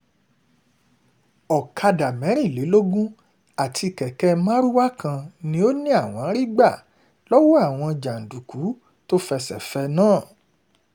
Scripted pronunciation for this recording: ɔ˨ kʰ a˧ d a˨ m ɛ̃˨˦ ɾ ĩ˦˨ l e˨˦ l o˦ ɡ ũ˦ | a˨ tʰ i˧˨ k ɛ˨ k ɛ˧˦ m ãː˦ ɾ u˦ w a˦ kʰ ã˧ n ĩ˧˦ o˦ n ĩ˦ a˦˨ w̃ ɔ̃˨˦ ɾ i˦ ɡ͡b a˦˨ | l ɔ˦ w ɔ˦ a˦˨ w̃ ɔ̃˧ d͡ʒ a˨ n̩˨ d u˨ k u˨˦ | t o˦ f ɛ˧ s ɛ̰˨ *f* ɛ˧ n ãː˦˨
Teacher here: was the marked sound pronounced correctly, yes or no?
yes